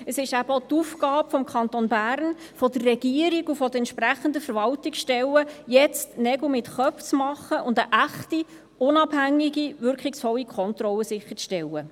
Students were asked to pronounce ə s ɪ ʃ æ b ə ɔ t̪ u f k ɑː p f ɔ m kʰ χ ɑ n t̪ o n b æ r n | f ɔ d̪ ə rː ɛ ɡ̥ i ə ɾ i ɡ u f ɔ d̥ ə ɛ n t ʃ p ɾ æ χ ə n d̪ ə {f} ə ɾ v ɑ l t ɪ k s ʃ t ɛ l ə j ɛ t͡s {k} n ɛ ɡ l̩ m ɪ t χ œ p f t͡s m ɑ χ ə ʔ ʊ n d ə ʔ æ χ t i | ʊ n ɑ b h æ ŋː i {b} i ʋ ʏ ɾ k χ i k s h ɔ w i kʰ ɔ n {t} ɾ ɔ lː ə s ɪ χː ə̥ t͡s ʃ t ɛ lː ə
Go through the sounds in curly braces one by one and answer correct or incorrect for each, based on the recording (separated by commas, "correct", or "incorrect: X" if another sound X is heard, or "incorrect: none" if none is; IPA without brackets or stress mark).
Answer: correct, incorrect: t, incorrect: ɡ, correct